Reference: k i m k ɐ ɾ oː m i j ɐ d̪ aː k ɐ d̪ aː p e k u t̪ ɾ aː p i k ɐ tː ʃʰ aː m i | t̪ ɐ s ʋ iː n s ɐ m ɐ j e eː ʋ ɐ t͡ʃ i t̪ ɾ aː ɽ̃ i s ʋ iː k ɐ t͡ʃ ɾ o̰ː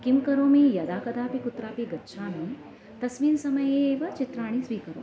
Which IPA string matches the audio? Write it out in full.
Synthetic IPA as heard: k i m k ɐ ɾ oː m i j ɐ d̪ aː k ɐ d̪ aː p i k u t̪ ɾ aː p i ɡ ɐ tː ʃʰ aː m i | t̪ ɐ s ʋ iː n s ɐ m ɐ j e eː ʋ ɐ t͡ʃ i t̪ ɾ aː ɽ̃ i s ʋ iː k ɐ ɾ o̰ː